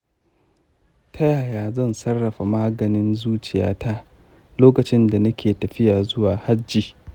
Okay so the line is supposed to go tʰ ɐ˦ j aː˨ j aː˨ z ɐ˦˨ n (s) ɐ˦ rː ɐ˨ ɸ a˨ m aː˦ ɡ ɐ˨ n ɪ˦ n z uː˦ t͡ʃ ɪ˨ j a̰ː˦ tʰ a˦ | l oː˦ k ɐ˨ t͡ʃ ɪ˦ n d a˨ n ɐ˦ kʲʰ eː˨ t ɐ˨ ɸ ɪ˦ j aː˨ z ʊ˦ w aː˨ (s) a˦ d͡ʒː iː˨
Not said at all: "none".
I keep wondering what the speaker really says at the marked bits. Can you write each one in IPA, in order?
s, h

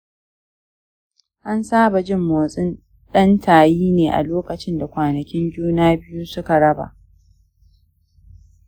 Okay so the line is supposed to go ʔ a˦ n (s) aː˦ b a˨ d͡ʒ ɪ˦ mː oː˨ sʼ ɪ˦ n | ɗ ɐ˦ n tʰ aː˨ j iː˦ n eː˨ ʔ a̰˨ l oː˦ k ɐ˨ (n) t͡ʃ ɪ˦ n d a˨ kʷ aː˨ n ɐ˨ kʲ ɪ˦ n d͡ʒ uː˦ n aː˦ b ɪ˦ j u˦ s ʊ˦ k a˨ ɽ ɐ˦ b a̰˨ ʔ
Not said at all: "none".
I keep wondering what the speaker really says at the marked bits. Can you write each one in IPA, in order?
s, none

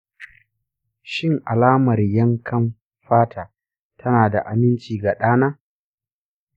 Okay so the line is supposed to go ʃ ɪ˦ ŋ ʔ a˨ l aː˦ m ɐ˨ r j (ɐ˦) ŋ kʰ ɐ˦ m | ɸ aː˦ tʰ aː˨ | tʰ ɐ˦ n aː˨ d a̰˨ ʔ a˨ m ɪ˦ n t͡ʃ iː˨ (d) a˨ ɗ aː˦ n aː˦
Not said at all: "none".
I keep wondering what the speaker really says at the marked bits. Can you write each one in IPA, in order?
ɐ˦, ɡ

